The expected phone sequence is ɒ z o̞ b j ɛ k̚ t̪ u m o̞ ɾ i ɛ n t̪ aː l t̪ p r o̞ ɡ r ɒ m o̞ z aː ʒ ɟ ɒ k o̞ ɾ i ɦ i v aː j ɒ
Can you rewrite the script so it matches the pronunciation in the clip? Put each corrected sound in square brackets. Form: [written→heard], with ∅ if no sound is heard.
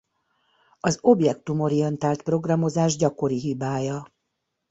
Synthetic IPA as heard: ɒ z o̞ b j ɛ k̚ t̪ u m o̞ ɾ i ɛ n t̪ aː l t̪ p r o̞ ɡ r ɒ m o̞ z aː ʒ ɟ ɒ k o̞ ɾ i ɦ i [v→b] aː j ɒ

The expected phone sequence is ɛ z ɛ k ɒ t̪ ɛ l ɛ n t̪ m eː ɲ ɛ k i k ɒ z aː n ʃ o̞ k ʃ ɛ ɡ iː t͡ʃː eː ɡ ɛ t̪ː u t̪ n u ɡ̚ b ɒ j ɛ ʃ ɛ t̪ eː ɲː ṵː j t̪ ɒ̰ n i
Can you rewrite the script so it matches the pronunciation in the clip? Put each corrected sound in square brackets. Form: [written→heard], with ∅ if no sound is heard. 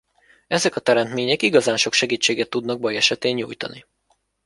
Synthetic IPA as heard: ɛ z ɛ k ɒ t̪ ɛ [l→ɾ] ɛ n t̪ m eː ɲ ɛ k i [k→ɡ] ɒ z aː n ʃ o̞ k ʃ ɛ ɡ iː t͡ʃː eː ɡ ɛ t̪ː u [t̪→d̪] n [u→ɒ] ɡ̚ b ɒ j ɛ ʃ ɛ t̪ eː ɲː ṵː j t̪ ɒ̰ n i

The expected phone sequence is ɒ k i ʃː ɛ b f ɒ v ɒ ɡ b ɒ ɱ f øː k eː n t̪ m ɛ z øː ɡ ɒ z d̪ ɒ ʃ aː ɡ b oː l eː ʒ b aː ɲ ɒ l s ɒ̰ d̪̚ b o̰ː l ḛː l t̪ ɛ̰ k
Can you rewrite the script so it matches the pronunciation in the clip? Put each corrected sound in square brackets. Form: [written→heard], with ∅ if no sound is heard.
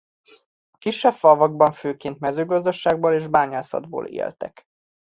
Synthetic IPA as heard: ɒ k i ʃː ɛ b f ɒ v ɒ ɡ b ɒ ɱ f øː k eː n t̪ m ɛ z øː ɡ ɒ z d̪ ɒ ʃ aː ɡ b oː l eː ʒ b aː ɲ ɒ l s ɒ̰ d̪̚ b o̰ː l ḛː l t̪ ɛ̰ k

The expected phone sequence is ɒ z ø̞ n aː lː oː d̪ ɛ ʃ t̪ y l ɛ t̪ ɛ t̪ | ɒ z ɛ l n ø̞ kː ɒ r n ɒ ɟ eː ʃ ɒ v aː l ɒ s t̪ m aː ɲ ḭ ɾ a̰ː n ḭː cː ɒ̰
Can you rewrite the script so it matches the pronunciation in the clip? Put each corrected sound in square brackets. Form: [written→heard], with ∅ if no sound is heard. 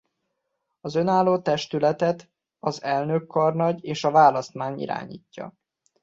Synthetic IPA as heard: ɒ z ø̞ n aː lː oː [d̪→t̪] ɛ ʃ t̪ y l ɛ t̪ ɛ t̪ | ɒ z ɛ l n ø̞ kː ɒ r n ɒ ɟ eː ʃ ɒ v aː l ɒ s t̪ m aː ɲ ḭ ɾ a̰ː [n→ɲ] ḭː cː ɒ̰

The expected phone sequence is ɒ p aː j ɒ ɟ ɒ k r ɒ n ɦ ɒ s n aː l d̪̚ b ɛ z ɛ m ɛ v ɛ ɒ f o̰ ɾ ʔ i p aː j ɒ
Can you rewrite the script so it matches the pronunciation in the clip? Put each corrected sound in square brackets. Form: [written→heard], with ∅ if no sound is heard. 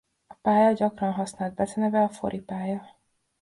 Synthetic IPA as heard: ɒ p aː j ɒ ɟ ɒ k r ɒ n ɦ ɒ s n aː l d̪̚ b ɛ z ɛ [m→n] ɛ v ɛ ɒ f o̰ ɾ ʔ i p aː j ɒ

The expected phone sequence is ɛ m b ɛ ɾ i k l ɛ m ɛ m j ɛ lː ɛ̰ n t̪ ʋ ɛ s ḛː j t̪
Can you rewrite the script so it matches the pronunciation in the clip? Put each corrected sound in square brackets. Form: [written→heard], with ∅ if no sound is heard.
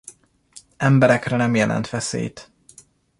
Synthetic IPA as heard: ɛ m b ɛ ɾ [i→ɛ] k [l→r] ɛ [m→n] ɛ m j ɛ [lː→l] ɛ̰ n t̪ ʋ ɛ s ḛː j t̪

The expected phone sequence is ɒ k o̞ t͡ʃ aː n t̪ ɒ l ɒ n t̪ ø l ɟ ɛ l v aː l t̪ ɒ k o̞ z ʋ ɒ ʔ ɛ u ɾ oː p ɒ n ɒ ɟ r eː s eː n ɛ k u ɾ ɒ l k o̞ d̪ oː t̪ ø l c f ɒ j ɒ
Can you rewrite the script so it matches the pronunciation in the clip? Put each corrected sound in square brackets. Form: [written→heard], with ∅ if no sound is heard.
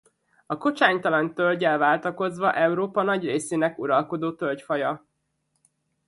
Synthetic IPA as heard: ɒ k o̞ t͡ʃ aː [n→ɲ] t̪ ɒ l ɒ n t̪ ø l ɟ ɛ l v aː l t̪ ɒ k o̞ z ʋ ɒ ʔ ɛ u ɾ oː p ɒ n ɒ ɟ r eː s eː n ɛ k u ɾ ɒ l k o̞ d̪ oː t̪ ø l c f ɒ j ɒ

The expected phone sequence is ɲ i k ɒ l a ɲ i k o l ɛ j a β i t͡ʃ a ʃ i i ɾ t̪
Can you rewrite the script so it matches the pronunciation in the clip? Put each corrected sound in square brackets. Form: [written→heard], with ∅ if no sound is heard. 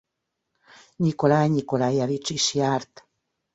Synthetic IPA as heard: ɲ i k [ɒ→o] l a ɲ i k o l [ɛ→a] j a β i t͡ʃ [a→i] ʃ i [i→a] ɾ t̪

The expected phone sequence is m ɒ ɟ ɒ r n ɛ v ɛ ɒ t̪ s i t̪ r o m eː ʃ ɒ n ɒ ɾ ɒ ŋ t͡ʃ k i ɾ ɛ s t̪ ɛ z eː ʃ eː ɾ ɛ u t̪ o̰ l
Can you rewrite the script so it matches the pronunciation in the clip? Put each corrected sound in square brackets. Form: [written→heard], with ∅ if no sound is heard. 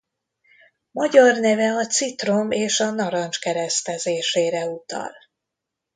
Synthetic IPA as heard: m ɒ ɟ ɒ r n ɛ v ɛ ɒ t̪ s i t̪ r o m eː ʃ ɒ n ɒ ɾ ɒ [ŋ→n] t͡ʃ k [i→ɛ] ɾ ɛ s t̪ ɛ z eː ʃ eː ɾ ɛ u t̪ [o̰→ɒ̰] l

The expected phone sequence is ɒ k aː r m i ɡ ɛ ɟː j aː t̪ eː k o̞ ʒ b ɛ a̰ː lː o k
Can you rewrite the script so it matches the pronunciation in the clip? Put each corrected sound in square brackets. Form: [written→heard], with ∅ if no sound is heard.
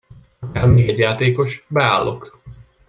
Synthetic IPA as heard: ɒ k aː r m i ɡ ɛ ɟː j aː t̪ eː k o̞ [ʒ→ʃ] b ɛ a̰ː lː o k

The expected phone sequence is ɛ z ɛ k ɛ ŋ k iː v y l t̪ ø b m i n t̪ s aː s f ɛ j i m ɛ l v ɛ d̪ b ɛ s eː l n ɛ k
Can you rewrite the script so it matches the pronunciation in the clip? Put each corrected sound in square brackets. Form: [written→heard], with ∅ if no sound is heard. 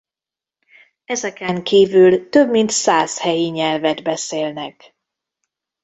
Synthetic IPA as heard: ɛ z ɛ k ɛ ŋ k iː v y l t̪ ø b m i n t̪ s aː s [f→h] ɛ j i [m→ɲ] ɛ l v ɛ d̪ b ɛ s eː l n ɛ k

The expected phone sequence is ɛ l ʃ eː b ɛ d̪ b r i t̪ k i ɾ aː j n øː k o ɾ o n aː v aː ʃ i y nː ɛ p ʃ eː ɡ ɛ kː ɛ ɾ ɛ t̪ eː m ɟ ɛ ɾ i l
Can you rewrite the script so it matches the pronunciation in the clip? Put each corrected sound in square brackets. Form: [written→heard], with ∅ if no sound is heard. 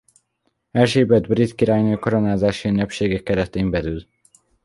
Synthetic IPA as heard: ɛ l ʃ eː b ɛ d̪ b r i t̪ k i ɾ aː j n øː k o ɾ o n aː [v→z] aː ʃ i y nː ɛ p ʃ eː ɡ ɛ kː ɛ ɾ ɛ t̪ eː m [ɟ→b] ɛ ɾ [i→y] l

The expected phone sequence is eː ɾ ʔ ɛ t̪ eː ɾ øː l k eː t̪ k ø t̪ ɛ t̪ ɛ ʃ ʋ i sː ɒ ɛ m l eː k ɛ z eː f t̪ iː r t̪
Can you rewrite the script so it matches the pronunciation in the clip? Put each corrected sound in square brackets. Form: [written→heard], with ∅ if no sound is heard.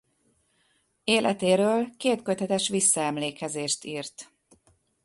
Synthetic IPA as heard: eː [ɾ→l] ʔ ɛ t̪ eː ɾ øː l k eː t̪ k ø t̪ ɛ t̪ ɛ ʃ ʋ i sː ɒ ɛ m l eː k ɛ z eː [f→ʃ] t̪ iː r t̪

